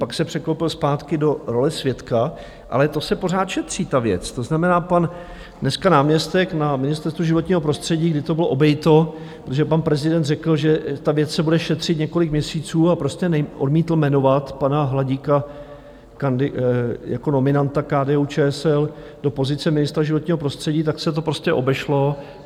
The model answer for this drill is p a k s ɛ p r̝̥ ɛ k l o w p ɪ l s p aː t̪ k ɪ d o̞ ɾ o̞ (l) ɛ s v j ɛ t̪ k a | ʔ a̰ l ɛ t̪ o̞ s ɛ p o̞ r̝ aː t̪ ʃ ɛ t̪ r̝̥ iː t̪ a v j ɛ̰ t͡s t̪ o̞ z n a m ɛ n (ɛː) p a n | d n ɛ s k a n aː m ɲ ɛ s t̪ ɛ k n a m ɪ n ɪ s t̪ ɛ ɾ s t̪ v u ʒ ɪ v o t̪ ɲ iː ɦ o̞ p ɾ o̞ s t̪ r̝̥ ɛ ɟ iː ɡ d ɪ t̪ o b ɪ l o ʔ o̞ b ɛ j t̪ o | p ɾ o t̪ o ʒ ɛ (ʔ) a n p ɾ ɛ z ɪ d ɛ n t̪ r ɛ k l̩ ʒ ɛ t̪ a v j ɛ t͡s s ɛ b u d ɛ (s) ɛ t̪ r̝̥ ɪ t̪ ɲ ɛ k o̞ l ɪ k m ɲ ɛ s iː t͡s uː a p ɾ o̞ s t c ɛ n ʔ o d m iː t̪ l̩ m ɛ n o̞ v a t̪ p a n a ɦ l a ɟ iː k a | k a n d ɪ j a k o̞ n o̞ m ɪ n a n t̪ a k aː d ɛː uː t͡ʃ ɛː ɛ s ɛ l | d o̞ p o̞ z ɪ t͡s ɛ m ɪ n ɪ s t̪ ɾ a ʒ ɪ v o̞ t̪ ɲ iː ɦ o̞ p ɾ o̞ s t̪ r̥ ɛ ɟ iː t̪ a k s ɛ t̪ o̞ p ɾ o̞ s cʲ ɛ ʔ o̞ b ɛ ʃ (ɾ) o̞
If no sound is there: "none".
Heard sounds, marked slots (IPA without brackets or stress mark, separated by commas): l, aː, p, ʃ, l